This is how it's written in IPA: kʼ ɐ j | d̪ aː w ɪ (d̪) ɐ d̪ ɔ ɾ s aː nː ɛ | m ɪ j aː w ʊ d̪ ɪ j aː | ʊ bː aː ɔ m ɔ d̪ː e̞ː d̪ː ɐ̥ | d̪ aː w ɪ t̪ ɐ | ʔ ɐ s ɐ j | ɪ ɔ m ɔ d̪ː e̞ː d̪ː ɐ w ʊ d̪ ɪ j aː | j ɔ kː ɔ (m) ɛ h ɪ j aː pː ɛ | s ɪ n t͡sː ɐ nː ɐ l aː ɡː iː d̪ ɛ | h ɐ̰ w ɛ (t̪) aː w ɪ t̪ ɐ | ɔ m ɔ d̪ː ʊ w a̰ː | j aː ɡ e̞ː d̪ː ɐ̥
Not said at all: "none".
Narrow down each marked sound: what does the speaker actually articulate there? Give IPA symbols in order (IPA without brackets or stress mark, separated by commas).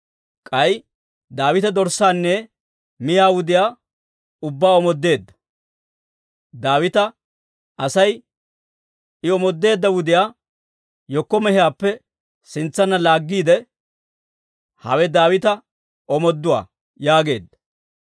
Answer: t̪, m, d̪